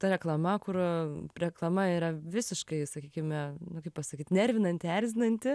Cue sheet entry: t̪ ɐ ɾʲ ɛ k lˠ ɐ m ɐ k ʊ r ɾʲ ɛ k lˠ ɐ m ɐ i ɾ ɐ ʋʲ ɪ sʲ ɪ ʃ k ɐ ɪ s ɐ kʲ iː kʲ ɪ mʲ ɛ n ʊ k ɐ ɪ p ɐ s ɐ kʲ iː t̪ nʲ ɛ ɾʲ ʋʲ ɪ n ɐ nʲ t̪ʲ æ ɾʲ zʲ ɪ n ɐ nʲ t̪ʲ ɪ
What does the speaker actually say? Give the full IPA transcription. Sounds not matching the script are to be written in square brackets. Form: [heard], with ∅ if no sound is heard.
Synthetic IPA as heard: t̪ ɐ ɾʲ ɛ k lˠ ɐ m ɐ k ʊ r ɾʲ ɛ k lˠ ɐ m ɐ i ɾ ɐ ʋʲ ɪ sʲ ɪ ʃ k ɐ ɪ s ɐ kʲ iː kʲ ɪ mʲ ɛ n ʊ k ɐ ɪ p ɐ s ɐ kʲ iː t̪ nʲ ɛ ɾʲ ʋʲ ɪ n ɐ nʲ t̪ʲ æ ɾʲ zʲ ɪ n ɐ nʲ t̪ʲ ɪ